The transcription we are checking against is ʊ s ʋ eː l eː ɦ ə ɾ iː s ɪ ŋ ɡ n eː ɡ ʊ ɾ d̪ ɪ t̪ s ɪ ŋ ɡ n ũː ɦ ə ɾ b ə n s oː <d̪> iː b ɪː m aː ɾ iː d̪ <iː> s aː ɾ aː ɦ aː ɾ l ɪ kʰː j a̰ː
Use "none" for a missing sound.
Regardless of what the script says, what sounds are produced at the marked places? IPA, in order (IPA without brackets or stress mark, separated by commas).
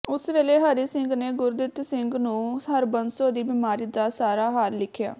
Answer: d̪, aː